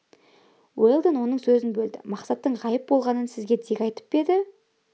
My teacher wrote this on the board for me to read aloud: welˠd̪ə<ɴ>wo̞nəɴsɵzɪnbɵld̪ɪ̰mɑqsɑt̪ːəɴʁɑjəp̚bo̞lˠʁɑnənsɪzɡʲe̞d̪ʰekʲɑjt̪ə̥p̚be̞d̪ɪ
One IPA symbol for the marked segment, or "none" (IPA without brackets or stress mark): n